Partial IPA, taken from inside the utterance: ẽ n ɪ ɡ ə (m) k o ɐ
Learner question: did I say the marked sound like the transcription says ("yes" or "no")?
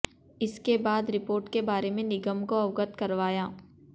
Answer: yes